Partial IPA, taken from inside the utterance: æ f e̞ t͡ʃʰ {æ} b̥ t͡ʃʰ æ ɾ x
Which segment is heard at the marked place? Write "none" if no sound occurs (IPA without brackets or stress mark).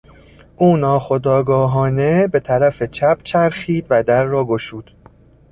æ